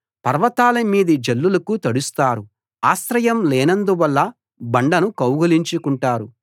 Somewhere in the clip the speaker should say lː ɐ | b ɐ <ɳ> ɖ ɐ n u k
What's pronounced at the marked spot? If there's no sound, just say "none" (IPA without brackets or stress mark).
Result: ɳ